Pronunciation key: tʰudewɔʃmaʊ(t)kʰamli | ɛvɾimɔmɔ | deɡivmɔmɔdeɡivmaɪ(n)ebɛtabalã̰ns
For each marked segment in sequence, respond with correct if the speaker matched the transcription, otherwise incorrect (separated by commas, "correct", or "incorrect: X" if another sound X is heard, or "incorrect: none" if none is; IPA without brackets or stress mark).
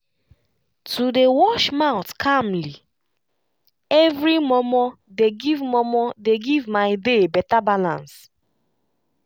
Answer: correct, incorrect: d